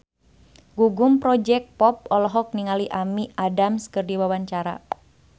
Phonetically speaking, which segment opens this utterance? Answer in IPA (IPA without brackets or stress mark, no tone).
ɡ